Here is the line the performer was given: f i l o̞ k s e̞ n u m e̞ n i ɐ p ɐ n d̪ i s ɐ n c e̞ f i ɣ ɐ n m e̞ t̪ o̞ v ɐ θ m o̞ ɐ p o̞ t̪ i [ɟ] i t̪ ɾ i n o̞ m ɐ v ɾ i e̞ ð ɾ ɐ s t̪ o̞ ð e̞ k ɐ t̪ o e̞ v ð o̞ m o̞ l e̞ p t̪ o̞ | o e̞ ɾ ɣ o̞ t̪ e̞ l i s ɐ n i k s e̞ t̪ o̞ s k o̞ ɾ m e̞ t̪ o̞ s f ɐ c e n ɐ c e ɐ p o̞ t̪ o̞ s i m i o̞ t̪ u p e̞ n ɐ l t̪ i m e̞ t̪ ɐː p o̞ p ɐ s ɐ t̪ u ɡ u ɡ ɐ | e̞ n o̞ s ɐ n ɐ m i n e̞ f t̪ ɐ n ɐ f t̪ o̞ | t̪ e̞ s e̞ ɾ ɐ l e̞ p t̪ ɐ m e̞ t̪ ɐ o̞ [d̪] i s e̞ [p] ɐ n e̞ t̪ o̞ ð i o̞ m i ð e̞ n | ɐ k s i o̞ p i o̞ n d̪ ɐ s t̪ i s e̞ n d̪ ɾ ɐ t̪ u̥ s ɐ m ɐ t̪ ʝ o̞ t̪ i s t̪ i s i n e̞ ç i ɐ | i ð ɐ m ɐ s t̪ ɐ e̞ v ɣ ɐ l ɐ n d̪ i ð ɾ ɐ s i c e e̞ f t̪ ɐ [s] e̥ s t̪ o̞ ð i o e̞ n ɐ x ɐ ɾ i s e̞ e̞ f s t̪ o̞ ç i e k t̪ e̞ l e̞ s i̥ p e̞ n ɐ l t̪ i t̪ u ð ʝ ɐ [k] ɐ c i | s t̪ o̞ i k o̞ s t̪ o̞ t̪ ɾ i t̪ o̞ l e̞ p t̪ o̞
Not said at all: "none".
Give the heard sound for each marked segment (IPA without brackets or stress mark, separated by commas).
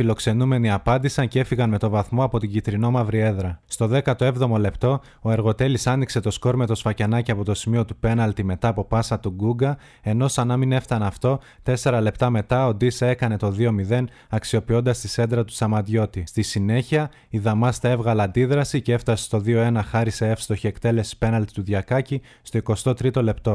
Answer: ɟ, d̪, k, s, k